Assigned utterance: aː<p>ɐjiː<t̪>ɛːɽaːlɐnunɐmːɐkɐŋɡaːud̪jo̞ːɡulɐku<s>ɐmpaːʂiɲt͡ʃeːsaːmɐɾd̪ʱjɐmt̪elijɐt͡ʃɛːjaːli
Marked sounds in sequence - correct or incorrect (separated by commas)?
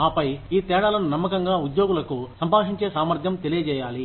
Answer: correct, correct, correct